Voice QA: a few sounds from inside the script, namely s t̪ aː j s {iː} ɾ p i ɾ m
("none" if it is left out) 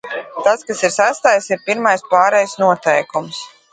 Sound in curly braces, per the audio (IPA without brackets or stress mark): i